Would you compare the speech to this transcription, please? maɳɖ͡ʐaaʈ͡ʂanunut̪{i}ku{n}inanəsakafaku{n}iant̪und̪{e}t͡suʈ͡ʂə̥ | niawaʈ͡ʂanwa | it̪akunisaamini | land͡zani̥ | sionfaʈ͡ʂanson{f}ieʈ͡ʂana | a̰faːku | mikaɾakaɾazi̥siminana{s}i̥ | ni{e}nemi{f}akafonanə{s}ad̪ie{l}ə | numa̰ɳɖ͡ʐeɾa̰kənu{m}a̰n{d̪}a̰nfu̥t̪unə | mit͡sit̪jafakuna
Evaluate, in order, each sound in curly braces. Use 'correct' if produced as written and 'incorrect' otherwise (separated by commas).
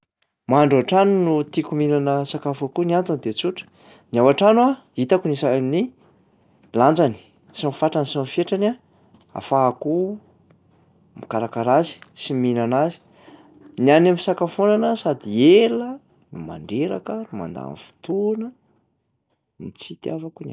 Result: correct, incorrect, correct, correct, correct, incorrect, incorrect, incorrect, correct, correct, correct, correct